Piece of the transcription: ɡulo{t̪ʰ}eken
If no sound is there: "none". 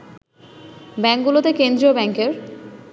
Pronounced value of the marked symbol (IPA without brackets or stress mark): t̪